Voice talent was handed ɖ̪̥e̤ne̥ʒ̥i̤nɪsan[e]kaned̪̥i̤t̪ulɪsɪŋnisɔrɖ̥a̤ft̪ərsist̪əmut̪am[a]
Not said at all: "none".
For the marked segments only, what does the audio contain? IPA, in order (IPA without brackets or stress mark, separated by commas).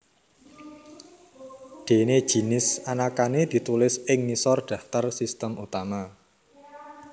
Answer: a, a